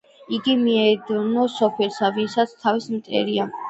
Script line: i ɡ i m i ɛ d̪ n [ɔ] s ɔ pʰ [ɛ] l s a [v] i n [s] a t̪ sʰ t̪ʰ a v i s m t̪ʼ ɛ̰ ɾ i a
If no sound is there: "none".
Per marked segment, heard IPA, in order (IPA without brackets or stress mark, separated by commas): ɔ, ɛ, v, s